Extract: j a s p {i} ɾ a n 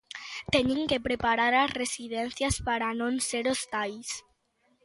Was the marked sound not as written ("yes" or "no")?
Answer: yes